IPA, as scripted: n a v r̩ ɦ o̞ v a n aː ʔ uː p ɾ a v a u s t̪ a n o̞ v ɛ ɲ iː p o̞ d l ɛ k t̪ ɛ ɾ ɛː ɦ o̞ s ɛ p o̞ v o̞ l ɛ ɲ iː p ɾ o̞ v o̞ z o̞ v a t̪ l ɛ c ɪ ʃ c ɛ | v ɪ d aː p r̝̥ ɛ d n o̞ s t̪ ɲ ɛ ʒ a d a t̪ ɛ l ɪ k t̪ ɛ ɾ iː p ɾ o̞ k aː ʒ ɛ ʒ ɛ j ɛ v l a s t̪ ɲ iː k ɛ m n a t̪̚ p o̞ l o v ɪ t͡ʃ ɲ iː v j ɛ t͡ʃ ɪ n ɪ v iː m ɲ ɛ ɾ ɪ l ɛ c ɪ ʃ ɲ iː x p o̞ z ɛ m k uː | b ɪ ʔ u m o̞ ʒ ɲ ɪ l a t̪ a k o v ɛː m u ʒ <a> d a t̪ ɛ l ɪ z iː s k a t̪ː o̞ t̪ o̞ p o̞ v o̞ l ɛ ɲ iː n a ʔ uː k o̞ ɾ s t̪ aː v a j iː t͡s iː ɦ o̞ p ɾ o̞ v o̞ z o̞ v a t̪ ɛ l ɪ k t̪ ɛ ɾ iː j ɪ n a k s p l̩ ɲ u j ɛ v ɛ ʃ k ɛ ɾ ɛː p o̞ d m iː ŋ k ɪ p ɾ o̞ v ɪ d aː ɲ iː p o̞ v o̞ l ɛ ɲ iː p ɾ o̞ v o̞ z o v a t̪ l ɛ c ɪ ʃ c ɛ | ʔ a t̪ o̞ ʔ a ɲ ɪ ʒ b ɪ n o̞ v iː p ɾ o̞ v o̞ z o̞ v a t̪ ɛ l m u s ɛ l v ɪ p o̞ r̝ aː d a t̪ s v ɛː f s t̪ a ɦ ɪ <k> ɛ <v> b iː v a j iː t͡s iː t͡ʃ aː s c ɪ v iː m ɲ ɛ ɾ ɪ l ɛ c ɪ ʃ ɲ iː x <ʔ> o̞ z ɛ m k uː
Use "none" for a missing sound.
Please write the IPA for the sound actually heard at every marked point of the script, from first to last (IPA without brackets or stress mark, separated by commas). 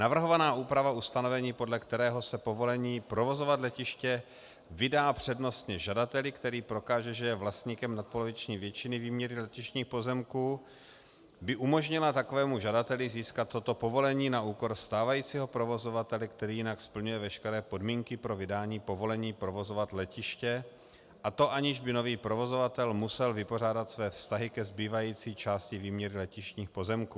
a, k, z, p